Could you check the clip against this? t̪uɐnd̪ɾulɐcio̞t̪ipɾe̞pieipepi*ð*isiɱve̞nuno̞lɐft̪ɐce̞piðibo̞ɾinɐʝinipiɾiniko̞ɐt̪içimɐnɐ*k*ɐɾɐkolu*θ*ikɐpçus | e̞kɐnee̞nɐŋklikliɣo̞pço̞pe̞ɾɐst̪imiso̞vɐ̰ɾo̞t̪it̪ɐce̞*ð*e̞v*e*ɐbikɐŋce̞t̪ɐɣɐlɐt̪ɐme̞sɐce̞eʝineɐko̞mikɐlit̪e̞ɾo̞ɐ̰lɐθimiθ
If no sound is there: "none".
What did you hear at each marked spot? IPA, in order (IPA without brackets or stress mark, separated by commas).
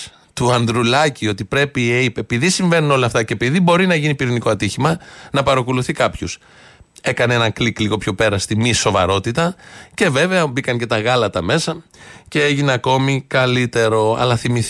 ð, p, θ, v, e